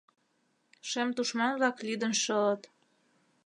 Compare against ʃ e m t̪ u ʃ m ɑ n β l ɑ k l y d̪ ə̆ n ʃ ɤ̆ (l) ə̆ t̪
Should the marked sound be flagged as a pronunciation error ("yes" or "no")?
no